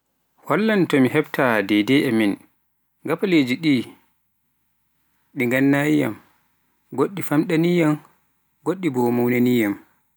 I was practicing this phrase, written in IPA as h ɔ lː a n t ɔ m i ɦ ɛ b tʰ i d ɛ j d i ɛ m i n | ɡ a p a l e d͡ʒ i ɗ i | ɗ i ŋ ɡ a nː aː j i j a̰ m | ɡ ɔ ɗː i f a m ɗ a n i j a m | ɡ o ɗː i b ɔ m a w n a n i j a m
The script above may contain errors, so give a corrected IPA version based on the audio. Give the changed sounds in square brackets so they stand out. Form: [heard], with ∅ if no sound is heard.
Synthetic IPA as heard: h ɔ lː a n t ɔ m i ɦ ɛ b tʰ [a] d ɛ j d [ɛ] ɛ m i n | ɡ a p a l e d͡ʒ i ɗ i | ɗ i ŋ ɡ a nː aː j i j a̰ m | ɡ [o] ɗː i f a m ɗ a n i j a m | ɡ o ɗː i b ɔ m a w n a n i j a m